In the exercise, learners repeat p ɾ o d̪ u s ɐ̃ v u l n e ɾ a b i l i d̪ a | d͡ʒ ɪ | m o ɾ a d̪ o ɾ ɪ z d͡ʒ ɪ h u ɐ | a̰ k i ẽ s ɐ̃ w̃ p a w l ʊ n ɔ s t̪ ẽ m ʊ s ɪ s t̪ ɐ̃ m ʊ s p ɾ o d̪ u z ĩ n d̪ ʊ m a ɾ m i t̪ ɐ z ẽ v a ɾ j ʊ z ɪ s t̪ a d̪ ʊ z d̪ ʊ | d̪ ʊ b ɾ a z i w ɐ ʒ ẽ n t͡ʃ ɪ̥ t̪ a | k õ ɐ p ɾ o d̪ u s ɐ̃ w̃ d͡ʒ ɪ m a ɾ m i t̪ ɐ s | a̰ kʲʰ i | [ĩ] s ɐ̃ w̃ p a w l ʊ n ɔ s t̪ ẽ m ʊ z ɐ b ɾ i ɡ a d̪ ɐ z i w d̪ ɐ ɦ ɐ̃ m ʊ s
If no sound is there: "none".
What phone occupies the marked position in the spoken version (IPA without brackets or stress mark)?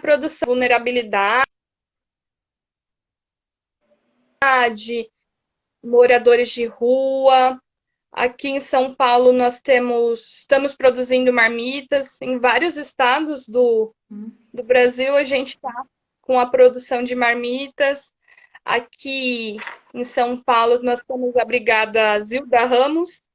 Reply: ẽ